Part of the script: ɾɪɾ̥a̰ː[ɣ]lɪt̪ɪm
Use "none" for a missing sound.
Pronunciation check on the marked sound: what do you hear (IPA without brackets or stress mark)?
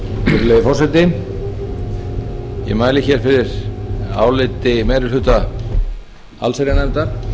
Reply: w